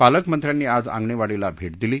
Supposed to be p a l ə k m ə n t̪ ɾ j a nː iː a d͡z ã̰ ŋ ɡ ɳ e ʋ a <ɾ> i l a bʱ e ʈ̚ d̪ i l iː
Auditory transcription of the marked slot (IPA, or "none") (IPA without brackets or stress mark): ɽ